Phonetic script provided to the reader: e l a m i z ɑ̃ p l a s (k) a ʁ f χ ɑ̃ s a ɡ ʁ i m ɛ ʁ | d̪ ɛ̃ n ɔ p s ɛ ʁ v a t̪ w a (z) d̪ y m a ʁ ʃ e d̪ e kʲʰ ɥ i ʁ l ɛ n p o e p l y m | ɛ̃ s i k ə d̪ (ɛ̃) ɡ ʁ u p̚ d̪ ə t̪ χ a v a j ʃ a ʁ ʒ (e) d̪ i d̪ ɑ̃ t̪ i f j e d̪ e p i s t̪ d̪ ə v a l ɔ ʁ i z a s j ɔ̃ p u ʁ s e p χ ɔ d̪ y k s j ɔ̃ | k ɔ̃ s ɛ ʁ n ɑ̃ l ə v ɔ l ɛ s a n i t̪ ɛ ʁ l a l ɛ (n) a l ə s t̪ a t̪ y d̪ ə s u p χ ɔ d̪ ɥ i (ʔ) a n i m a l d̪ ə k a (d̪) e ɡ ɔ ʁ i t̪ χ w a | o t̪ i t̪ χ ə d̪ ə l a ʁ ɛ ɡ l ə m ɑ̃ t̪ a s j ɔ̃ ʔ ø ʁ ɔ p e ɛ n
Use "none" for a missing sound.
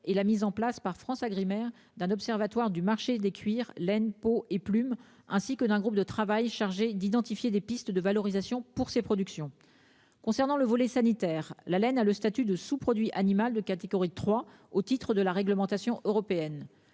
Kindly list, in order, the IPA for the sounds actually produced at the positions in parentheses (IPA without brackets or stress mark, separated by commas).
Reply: p, ʁ, ɛ̃, e, n, ʔ, t̪